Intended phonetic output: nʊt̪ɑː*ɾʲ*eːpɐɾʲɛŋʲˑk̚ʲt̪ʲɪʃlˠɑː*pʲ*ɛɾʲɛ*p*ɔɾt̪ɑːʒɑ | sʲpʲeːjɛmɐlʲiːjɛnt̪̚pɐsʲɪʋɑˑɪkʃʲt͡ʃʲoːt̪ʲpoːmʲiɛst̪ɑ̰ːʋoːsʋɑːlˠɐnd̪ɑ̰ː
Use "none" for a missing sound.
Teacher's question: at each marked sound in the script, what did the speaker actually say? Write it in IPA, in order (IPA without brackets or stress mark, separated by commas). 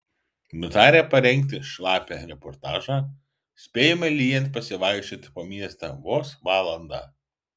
ɾʲ, pʲ, p